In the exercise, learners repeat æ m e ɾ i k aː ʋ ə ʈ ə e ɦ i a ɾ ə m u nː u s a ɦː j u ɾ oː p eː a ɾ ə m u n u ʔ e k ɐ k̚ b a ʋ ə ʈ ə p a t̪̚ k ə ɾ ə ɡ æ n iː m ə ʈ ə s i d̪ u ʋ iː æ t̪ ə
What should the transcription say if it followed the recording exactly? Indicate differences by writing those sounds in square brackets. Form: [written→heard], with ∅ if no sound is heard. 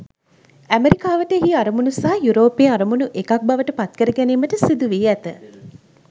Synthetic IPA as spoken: æ m e ɾ i k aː ʋ ə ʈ ə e ɦ i a ɾ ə m u [nː→n] u s a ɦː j u ɾ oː p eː a ɾ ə m u n u ʔ e k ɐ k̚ b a ʋ ə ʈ ə p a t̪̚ k ə ɾ ə ɡ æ n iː m ə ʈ ə s i d̪ u ʋ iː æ t̪ ə